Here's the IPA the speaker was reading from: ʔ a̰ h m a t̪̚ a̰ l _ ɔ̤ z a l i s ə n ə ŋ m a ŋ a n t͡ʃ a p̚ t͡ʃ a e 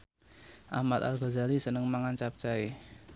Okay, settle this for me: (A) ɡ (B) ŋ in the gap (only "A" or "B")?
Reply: A